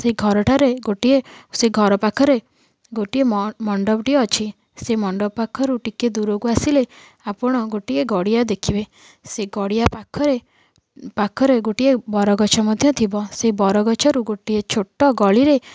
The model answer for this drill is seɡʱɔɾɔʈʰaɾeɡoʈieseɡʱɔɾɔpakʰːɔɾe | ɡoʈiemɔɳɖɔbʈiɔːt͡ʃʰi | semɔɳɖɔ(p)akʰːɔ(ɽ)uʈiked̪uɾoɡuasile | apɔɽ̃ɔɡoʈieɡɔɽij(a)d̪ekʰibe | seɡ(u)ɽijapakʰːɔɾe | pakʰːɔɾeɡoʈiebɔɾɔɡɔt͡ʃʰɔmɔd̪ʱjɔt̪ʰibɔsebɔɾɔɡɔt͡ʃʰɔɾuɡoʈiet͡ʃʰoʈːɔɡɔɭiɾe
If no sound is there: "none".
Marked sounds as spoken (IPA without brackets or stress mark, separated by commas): p, ɾ, a, ɔ